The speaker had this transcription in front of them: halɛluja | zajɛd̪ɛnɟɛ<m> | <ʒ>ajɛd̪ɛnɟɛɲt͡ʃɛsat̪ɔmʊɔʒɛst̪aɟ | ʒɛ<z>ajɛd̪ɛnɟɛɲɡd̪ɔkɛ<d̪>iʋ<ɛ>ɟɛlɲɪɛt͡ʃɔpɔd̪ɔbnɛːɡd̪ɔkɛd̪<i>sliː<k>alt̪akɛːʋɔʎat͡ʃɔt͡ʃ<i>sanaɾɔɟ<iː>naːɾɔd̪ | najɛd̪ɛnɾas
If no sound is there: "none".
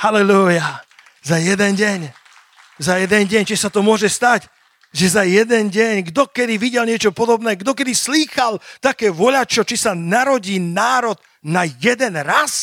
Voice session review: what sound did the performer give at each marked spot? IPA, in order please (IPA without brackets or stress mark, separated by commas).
ɲ, z, z, d̪, i, i, x, i, iː